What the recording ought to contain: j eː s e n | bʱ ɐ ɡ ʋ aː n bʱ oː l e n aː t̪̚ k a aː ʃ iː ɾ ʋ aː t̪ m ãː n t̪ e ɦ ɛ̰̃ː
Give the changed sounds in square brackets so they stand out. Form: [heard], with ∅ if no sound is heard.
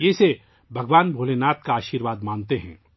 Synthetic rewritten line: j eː s e [∅] | bʱ ɐ ɡ ʋ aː n bʱ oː l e n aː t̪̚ k a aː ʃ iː ɾ ʋ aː [d̪] m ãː n t̪ e ɦ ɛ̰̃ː